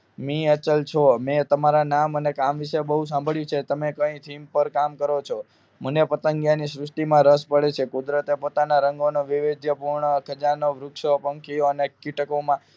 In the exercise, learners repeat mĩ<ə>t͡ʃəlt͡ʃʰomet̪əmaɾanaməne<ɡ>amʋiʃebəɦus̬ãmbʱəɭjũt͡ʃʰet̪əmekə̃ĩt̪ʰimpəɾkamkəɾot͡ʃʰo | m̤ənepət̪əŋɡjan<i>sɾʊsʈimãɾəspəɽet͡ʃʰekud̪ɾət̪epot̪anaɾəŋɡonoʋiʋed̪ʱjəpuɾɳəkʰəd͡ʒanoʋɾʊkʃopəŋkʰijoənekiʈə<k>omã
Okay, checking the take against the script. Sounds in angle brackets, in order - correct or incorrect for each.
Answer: correct, incorrect: k, correct, correct

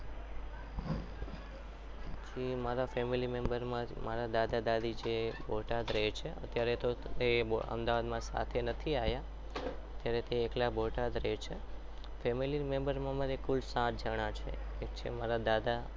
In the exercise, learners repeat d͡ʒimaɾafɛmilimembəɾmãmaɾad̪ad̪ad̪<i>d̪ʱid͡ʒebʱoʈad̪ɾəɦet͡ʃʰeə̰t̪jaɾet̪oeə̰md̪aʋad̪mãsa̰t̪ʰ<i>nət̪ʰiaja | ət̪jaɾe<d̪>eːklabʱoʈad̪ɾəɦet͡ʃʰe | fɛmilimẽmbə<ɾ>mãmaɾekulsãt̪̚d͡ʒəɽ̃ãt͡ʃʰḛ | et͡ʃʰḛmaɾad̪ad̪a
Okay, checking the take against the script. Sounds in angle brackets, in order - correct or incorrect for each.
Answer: incorrect: a, incorrect: e, incorrect: t̪, correct

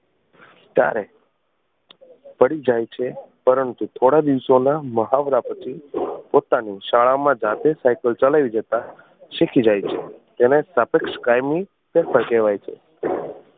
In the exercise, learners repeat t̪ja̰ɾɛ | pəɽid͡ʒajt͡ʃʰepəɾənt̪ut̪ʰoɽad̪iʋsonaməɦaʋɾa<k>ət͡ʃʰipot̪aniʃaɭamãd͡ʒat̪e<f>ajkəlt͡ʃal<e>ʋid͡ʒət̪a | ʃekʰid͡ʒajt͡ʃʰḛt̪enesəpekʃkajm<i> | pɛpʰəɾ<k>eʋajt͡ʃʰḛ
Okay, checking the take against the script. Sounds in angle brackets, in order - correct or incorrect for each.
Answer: incorrect: p, incorrect: s, incorrect: a, correct, correct

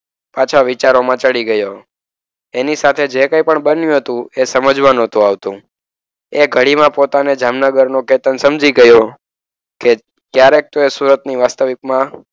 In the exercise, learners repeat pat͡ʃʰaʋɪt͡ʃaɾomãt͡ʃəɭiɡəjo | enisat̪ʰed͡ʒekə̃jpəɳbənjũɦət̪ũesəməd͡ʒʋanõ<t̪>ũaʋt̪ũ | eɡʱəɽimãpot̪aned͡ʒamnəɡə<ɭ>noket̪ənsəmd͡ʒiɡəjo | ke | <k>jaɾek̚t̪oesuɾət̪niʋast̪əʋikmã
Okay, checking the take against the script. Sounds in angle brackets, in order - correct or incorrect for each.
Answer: correct, incorrect: ɾ, correct

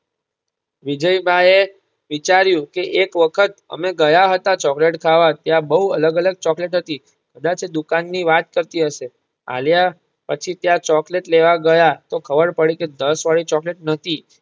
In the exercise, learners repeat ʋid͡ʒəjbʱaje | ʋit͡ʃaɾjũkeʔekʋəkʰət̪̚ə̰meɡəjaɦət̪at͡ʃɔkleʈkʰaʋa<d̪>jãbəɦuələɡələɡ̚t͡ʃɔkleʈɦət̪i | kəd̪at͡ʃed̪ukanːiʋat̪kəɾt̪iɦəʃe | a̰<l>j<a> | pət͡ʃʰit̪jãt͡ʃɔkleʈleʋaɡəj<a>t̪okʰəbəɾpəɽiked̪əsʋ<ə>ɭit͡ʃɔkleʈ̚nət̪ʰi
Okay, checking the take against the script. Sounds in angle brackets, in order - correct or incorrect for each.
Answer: incorrect: t̪, correct, correct, correct, incorrect: a

